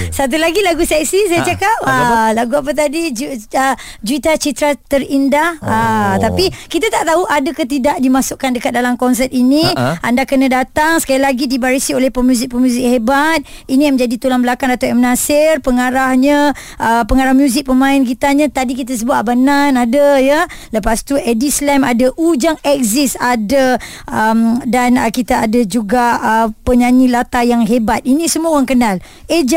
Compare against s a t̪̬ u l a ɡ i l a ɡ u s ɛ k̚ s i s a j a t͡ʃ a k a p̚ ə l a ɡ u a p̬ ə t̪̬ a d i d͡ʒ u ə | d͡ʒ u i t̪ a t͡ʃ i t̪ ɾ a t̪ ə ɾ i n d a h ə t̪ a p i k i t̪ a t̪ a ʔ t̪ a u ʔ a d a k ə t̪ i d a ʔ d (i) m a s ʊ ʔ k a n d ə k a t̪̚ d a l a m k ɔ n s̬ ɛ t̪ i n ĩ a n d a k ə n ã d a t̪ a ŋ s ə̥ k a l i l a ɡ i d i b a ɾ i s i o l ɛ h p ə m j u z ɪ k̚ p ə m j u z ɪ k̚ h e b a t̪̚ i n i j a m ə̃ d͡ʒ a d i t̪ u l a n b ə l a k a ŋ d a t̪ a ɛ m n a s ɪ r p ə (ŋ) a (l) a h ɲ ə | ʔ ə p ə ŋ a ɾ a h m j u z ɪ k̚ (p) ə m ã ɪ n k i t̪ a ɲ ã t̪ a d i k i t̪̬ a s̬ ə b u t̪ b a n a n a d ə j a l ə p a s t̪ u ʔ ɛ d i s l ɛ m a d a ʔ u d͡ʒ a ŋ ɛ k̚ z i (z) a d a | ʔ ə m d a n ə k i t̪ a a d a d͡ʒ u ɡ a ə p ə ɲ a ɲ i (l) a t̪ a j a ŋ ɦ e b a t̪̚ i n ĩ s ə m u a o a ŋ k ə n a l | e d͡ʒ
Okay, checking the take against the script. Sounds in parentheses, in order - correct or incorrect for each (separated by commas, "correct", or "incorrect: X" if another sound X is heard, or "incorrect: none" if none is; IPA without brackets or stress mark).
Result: correct, correct, incorrect: ɾ, correct, incorrect: s, correct